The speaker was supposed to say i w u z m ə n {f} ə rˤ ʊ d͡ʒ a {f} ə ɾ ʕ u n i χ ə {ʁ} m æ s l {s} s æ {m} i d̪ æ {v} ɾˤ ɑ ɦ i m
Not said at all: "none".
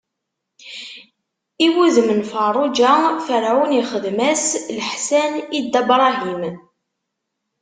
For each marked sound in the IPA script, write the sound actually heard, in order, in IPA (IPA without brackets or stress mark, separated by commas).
f, f, ð, ħ, n, b